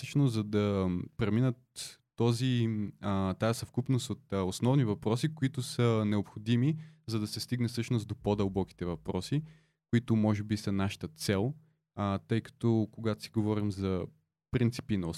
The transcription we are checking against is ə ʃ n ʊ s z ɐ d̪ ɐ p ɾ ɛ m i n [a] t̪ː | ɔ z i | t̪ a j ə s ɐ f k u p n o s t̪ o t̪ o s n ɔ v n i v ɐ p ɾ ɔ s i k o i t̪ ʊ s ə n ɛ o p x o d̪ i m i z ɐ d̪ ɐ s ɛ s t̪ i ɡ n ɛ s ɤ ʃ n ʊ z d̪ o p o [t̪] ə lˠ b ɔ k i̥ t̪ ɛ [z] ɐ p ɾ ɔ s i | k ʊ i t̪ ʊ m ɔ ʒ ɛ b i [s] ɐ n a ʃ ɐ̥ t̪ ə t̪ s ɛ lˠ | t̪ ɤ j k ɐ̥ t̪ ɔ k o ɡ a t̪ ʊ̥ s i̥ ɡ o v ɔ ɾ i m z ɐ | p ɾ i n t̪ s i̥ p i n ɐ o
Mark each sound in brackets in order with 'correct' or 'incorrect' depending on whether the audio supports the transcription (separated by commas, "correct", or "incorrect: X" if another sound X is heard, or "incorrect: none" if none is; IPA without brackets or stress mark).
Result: incorrect: ə, incorrect: d̪, incorrect: v, correct